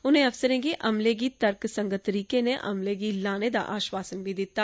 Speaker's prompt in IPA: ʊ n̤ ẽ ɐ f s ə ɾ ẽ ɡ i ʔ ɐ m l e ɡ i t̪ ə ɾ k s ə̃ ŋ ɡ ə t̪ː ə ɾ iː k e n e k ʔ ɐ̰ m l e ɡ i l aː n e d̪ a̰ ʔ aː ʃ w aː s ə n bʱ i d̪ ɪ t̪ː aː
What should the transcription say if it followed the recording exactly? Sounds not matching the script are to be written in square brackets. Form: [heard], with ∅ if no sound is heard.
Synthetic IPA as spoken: ʊ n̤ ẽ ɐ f s ə ɾ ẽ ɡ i ʔ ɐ m l e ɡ i t̪ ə ɾ k s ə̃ ŋ ɡ ə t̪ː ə ɾ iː k e n e [∅] ʔ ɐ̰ m l e ɡ i l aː n e d̪ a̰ ʔ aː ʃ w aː s ə n bʱ i d̪ ɪ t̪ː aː